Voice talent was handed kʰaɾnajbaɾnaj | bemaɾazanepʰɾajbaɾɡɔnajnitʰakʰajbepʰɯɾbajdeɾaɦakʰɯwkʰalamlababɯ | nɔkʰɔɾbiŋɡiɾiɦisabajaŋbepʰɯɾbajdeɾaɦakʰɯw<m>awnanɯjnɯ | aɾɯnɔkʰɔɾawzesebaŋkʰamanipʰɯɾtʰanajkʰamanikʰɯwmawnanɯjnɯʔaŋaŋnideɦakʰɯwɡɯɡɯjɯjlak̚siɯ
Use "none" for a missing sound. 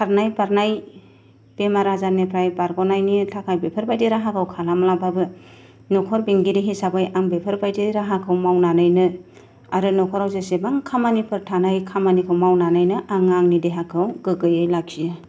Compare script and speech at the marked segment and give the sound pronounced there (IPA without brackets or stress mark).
m